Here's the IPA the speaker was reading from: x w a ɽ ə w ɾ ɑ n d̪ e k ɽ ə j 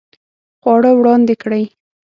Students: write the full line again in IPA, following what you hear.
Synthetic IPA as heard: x w ɑ ɽ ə w ɽ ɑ n d̪ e k ɽ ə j